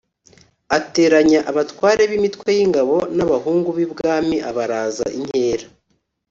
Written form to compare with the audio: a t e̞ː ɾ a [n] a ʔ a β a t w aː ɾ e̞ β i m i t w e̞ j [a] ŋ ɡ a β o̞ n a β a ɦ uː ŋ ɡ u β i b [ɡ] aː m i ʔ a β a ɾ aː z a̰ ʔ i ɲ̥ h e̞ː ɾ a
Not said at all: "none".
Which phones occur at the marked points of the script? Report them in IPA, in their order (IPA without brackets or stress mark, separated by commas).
ɲ, i, ɡ